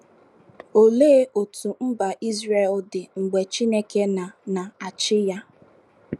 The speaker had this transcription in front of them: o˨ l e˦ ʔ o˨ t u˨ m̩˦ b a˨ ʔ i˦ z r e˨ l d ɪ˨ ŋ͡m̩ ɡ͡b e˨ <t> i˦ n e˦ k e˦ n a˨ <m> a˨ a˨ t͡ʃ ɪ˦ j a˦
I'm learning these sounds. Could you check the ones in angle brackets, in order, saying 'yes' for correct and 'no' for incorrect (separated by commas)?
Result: no, no